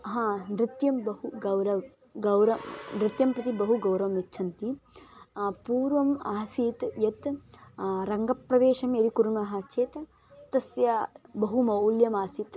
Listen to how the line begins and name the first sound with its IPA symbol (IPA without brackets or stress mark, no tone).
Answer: ɦ